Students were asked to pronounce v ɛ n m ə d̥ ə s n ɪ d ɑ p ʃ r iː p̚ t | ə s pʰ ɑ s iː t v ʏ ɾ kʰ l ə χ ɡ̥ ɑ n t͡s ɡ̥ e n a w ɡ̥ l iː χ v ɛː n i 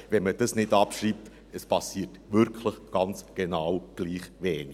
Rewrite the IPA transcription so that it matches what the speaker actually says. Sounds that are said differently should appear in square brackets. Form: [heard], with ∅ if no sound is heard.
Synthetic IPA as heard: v ɛ n m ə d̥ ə s n ɪ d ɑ p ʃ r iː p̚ t | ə s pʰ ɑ s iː t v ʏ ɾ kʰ l ə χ ɡ̥ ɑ n t͡s ɡ̥ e n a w ɡ̥ l iː χ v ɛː n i